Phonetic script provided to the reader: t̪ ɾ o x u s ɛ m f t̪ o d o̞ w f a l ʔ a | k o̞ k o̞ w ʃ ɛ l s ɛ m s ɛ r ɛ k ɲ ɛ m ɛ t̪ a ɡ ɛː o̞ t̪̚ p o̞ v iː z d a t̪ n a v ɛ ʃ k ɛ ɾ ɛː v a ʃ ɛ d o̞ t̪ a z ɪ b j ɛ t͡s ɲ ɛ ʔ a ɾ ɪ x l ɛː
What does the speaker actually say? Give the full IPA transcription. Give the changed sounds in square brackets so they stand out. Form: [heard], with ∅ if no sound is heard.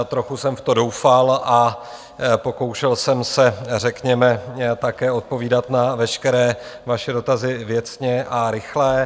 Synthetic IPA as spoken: t̪ ɾ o x u s ɛ m f t̪ o d o̞ w f a l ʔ a | [p] o̞ k o̞ w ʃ ɛ l s ɛ m s ɛ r ɛ k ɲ ɛ m ɛ t̪ a [k] ɛː o̞ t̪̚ p o̞ v iː [∅] d a t̪ n a v ɛ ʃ k ɛ ɾ ɛː v a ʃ ɛ d o̞ t̪ a z ɪ [v] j ɛ t͡s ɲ ɛ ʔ a ɾ ɪ x l ɛː